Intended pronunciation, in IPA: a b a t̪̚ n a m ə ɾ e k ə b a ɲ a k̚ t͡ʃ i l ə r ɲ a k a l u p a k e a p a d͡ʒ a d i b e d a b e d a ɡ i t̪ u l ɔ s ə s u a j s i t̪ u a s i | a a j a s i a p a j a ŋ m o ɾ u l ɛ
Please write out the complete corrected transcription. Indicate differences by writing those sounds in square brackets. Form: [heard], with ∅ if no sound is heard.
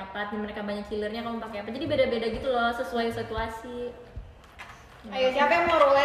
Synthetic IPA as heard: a [p] a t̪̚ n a m ə ɾ e k [a] b a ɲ a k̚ t͡ʃ i l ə r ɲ a k a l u p a k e a p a d͡ʒ a d i b e d a b e d a ɡ i t̪ u l ɔ s ə s u a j s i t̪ u a s i | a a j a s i a p a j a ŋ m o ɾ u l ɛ